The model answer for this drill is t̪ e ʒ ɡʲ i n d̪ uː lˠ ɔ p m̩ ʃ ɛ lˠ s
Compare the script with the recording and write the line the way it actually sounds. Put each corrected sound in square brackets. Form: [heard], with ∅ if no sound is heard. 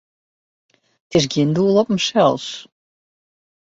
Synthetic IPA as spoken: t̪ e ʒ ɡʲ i n d̪ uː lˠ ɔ p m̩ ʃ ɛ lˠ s